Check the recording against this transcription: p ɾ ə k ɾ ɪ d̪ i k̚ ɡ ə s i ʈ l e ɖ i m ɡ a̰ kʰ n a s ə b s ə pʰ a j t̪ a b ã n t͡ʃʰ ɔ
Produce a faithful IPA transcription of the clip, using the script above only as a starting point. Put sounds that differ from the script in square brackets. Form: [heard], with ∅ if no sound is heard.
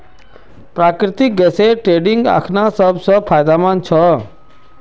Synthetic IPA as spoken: p ɾ [a] k ɾ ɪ [t̪] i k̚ ɡ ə s [e] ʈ [ɾ] e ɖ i [ŋ] ɡ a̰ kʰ n a s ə b s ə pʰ a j [d̪] a [m] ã n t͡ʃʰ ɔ